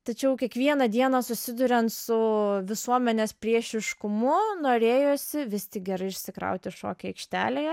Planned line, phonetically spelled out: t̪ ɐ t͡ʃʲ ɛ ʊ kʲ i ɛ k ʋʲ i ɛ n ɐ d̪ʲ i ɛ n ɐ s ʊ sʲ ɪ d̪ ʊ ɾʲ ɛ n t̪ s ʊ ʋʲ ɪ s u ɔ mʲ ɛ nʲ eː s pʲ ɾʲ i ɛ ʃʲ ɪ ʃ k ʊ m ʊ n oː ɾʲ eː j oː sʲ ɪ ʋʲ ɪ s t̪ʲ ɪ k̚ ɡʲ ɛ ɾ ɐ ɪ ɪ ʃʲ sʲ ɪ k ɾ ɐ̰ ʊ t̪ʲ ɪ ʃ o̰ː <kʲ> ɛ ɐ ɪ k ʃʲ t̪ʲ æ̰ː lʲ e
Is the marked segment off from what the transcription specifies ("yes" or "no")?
no